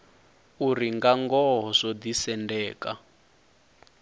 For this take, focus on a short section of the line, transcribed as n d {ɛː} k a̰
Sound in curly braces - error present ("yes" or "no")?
no